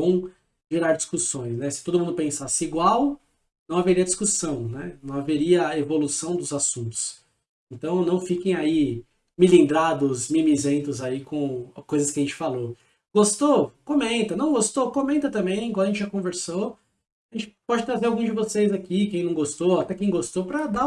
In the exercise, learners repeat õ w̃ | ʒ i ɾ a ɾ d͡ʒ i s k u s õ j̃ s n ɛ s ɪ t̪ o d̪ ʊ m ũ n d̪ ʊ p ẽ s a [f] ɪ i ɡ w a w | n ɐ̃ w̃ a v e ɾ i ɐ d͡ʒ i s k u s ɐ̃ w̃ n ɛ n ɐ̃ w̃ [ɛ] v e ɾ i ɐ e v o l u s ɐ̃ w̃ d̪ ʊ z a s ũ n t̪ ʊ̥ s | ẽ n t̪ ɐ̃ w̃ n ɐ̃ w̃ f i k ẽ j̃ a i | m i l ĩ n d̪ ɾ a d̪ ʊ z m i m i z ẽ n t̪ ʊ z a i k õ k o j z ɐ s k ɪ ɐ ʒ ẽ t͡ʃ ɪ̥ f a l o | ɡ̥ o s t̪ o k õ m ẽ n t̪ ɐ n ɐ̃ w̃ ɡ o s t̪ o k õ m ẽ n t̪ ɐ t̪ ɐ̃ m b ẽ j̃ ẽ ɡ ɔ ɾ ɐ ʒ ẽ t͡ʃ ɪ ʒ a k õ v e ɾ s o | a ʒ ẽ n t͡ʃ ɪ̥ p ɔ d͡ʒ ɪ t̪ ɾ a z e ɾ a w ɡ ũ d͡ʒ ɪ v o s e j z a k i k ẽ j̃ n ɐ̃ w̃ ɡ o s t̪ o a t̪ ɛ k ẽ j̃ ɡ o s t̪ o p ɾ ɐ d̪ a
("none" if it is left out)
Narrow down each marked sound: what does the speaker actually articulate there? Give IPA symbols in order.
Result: s, a

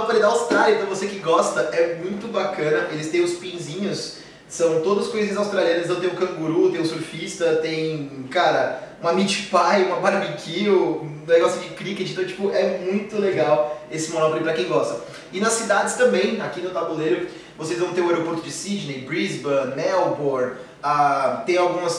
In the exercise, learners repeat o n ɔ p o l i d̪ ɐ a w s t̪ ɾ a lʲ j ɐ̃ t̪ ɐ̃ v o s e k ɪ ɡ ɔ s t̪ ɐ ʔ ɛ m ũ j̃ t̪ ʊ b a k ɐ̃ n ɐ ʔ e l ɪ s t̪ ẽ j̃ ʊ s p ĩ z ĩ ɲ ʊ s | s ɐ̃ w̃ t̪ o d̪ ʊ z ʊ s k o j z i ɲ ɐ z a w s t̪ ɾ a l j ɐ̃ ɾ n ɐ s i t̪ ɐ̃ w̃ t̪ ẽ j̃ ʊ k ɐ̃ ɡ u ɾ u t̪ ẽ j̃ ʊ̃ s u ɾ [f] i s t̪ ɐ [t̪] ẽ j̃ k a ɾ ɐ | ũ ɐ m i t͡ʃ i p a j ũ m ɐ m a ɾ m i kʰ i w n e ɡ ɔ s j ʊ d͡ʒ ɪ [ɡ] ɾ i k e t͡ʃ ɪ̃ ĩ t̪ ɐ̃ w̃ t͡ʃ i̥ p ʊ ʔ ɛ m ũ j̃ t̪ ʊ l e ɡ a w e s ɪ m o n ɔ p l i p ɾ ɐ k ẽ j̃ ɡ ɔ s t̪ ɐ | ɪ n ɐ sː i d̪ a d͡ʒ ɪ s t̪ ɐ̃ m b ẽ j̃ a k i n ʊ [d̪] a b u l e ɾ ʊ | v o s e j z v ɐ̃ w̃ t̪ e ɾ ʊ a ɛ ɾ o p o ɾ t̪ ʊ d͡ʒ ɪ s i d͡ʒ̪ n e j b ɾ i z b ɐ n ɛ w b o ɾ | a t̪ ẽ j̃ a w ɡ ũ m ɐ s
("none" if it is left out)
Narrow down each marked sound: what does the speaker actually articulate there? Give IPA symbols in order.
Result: f, t̪, k, t̪

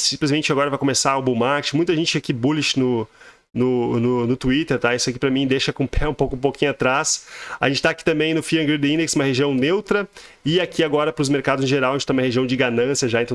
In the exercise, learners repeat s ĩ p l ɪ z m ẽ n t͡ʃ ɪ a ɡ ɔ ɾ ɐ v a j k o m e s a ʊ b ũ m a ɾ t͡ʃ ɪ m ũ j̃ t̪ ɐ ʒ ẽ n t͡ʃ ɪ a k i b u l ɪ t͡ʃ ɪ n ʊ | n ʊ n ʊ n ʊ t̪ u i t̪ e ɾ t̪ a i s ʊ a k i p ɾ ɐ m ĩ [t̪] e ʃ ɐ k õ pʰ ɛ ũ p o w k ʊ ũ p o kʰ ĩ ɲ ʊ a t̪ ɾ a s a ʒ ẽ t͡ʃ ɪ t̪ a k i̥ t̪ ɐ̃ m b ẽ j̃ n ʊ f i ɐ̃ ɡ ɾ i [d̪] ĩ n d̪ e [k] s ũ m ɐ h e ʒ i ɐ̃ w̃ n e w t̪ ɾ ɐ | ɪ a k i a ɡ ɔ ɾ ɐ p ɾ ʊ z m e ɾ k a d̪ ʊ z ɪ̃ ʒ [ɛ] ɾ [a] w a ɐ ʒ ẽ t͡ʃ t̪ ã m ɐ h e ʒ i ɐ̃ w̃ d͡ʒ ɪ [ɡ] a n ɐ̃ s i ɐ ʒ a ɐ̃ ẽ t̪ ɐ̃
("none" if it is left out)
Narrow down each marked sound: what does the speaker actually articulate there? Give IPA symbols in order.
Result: d̪, d̪, k, e, a, ɡ

